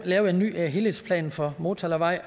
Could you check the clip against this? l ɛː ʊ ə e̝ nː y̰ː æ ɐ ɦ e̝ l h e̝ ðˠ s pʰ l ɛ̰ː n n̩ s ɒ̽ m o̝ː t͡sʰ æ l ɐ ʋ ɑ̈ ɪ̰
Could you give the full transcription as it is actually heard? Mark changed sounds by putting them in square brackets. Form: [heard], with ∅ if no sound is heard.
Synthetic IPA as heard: l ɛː ʊ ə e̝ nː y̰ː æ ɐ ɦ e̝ l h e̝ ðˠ s pʰ l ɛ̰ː n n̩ [f] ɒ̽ m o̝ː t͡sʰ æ l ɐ ʋ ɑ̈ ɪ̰